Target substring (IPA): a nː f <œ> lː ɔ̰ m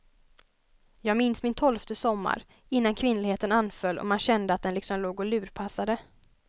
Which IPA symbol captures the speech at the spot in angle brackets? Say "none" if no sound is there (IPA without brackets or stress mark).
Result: œ